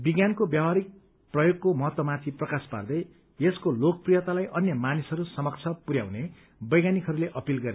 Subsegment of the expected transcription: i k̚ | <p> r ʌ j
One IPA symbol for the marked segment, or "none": p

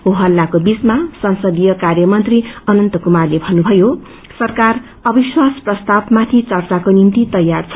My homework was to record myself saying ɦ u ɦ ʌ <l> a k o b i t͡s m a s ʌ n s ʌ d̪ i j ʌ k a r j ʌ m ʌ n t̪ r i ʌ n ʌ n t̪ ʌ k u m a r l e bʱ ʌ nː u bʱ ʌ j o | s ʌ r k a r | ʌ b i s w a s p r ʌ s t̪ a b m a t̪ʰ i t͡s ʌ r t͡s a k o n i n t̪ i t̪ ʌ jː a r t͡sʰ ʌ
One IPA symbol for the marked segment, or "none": lː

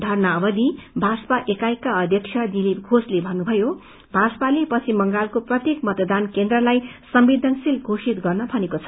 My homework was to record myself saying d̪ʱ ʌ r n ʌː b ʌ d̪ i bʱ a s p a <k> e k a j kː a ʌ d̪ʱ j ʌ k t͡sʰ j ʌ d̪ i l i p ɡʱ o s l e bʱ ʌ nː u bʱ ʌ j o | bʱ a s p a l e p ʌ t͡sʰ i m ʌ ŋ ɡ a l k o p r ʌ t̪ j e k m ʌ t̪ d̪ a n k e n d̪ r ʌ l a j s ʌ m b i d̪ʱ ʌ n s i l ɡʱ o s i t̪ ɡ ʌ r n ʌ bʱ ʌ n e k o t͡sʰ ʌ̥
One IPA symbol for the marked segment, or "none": ʔ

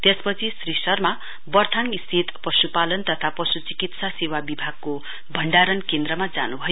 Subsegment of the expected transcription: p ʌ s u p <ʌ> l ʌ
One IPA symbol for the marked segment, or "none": a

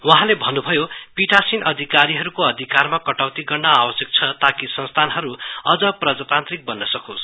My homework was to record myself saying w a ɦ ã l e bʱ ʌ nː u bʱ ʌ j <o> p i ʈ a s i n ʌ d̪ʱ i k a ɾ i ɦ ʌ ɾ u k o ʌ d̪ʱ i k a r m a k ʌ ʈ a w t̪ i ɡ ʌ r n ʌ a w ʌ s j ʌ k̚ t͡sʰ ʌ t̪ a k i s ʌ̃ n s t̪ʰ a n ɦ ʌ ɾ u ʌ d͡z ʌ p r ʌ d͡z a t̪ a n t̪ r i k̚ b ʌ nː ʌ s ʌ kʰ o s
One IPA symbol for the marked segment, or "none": o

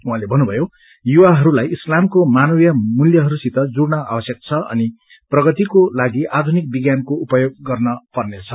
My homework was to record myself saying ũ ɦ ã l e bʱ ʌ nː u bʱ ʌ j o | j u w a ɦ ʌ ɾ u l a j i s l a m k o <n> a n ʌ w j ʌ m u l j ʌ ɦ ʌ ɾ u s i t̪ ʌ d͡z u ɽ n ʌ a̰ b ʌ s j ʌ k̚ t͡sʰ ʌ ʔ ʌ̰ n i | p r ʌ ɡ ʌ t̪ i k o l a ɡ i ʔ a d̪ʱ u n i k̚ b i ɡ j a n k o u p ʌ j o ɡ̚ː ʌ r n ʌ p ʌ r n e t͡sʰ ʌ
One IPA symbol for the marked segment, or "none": m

